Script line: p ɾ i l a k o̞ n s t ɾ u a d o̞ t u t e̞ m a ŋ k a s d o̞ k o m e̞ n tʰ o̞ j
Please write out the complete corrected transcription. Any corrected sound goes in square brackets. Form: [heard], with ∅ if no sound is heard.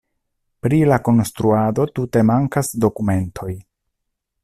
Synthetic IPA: p ɾ i l a k o̞ n s t ɾ u a d o̞ t u t e̞ m a ŋ k a s d o̞ k [u] m e̞ n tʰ o̞ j

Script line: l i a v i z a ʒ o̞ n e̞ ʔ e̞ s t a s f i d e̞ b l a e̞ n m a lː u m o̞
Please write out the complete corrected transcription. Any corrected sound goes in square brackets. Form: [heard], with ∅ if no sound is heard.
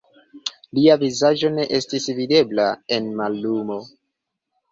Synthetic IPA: l i a v i z a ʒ o̞ n e̞ ʔ e̞ s t [i] s [v] i d e̞ b l a e̞ n m a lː u m o̞

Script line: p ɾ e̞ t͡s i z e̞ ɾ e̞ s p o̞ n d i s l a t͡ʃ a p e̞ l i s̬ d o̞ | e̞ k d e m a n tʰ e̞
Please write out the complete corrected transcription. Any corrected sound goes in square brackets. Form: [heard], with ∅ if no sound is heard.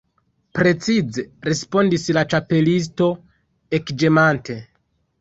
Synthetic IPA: p ɾ e̞ t͡s i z e̞ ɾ e̞ s p o̞ n d i s l a t͡ʃ a p e̞ l i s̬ [t] o̞ | e̞ k [d͡ʒ] e m a n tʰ e̞

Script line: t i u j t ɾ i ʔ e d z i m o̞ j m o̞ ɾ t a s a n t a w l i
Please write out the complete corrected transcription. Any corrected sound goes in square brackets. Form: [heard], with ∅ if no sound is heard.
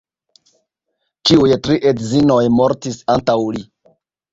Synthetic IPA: [t͡ʃ] i u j t ɾ i ʔ e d z i [n] o̞ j m o̞ ɾ t [i] s a n t a w l i

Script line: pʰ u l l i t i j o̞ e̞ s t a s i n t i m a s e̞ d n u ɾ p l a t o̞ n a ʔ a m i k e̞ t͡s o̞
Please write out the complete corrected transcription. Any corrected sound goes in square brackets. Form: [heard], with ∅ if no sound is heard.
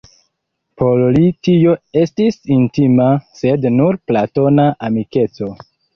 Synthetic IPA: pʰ [o] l l i t i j o̞ e̞ s t [i] s i n t i m a s e̞ d n u ɾ p l a t o̞ n a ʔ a m i k e̞ t͡s o̞

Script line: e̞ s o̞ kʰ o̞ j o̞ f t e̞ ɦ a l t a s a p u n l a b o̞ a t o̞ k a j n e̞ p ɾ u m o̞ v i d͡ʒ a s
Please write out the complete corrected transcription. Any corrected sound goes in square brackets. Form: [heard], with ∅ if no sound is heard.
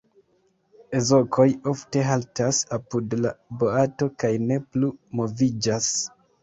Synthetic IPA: e̞ [z] o̞ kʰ o̞ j o̞ f t e̞ ɦ a l t a s a p u [d] l a b o̞ a t o̞ k a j n e̞ p [l] u m o̞ v i d͡ʒ a s

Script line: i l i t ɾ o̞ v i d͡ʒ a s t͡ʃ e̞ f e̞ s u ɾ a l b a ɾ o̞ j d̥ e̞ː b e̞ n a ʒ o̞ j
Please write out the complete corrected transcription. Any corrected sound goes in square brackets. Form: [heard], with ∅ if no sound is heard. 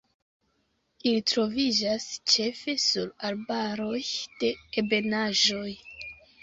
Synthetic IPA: i l i t ɾ o̞ v i d͡ʒ a s t͡ʃ e̞ f e̞ s u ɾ a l b a ɾ o̞ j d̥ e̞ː b e̞ n a ʒ o̞ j

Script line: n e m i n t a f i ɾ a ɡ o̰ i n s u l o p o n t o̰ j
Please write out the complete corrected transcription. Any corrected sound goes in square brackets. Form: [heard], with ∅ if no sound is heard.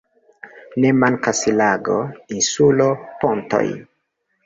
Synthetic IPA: n e m [a] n [k] a [s] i [l] a ɡ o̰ i n s u l o p o n t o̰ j

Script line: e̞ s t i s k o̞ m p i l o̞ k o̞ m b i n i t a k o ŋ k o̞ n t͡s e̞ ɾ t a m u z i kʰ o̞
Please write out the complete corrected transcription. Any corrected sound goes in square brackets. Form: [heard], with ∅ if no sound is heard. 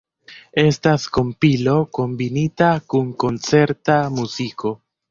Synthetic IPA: e̞ s t [a] s k o̞ m p i l o̞ k o̞ m b i n i t a k [u] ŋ k o̞ n t͡s e̞ ɾ t a m u z i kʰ o̞

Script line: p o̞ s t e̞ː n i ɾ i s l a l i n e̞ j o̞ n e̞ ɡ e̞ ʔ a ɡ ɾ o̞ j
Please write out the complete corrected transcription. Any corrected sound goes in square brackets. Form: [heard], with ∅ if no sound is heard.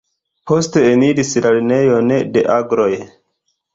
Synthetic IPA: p o̞ s t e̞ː n i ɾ i s l a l i n e̞ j o̞ n e̞ [d] e̞ ʔ a ɡ ɾ o̞ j

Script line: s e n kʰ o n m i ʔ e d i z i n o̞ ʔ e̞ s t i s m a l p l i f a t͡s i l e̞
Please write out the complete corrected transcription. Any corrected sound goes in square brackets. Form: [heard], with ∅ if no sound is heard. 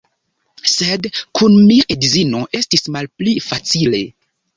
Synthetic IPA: s e [d] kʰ [u] n m i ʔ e d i z i n o̞ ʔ e̞ s t i s m a l p l i f a t͡s i l e̞

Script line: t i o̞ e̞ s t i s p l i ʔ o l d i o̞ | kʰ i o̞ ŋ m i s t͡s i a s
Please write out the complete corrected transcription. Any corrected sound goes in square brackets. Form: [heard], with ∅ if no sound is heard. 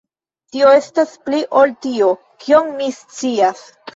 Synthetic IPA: t i o̞ e̞ s t [a] s p l i ʔ o l [t] i o̞ | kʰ i o̞ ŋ m i s t͡s i a s

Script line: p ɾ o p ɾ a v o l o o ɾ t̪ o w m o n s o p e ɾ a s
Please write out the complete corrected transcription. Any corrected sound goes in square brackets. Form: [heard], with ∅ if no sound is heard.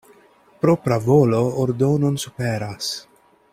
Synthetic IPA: p ɾ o p ɾ a v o l o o ɾ [d̪] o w [n] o n s [u] p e ɾ a s

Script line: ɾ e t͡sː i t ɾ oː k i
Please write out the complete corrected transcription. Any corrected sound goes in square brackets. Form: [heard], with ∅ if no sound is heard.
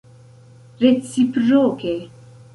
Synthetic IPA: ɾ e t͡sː i [p] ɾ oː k [e]

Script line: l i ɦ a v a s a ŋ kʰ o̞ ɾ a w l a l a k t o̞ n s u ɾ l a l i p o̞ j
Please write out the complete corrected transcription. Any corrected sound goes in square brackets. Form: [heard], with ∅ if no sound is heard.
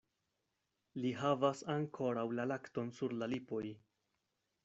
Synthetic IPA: l i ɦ a v a s a ŋ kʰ o̞ ɾ a w l a l a k t o̞ n s u ɾ l a l i p o̞ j

